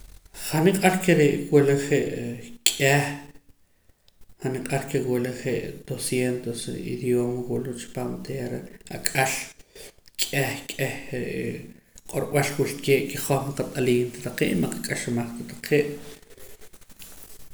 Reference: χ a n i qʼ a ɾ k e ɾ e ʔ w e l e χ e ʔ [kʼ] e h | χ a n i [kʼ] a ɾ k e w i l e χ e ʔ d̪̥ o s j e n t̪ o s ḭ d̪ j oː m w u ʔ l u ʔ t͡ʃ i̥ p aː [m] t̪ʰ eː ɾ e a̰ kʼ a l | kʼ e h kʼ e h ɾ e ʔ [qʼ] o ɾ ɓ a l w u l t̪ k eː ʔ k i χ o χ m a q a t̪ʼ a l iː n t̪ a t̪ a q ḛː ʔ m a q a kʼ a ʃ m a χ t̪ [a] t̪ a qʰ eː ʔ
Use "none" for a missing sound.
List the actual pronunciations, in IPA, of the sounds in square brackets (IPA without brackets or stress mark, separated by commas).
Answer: kʼ, qʼ, m, qʼ, a